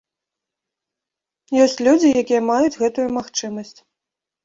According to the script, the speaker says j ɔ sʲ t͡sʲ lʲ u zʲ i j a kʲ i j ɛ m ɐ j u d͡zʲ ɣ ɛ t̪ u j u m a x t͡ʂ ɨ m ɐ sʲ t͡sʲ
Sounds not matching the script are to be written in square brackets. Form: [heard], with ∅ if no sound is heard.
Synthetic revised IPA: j ɔ sʲ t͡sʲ lʲ u [d͡zʲ] i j a kʲ i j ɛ m [a] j u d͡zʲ ɣ ɛ t̪ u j u m a x t͡ʂ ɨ m ɐ sʲ t͡sʲ